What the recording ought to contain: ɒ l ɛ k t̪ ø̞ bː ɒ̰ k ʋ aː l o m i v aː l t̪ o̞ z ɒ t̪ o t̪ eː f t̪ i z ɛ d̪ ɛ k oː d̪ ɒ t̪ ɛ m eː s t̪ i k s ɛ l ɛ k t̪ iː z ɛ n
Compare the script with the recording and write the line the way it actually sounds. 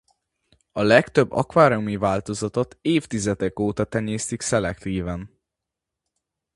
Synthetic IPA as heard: ɒ l ɛ k t̪ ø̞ bː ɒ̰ k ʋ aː ɾ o m i v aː l t̪ o̞ z ɒ t̪ o t̪ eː f t̪ i z ɛ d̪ ɛ k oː t̪ ɒ t̪ ɛ ɲ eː s t̪ i k s ɛ l ɛ k t̪ iː v ɛ n